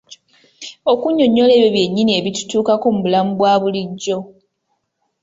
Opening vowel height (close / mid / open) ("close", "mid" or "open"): mid